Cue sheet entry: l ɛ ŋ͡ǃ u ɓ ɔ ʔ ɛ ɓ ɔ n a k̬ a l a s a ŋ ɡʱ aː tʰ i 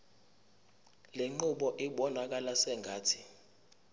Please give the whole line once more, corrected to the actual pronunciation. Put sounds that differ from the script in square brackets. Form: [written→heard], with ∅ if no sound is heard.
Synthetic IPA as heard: l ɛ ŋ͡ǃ u ɓ ɔ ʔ [ɛ→i] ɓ ɔ n a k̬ a l a s [a→ɛ] ŋ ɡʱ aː tʰ i